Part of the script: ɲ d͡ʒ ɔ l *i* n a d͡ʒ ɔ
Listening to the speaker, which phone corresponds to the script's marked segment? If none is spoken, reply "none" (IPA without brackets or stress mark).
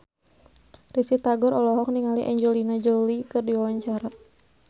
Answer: i